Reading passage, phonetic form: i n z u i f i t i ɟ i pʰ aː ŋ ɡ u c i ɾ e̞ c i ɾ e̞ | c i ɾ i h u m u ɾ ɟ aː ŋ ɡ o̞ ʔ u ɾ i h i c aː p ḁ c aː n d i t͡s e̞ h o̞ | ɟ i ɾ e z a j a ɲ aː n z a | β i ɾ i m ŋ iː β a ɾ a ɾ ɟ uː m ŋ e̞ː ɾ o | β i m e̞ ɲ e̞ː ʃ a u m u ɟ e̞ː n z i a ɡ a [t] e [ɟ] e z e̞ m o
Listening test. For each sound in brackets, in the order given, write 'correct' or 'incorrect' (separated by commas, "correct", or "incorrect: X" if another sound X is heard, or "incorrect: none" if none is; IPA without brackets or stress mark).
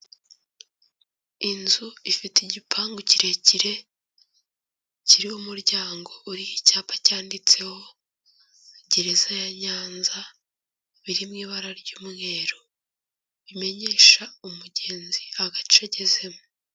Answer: incorrect: t͡ʃ, correct